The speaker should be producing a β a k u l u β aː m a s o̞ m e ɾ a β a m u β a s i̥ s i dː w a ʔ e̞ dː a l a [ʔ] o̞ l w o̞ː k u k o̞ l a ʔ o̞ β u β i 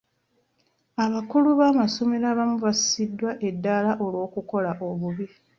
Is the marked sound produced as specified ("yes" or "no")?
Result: yes